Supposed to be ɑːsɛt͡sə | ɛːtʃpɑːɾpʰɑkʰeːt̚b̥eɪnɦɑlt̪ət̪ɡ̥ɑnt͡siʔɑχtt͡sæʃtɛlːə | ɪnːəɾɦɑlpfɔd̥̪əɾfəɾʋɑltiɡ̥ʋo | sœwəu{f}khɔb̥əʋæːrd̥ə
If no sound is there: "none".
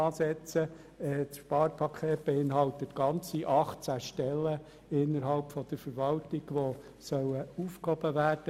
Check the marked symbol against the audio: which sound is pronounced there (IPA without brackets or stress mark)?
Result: f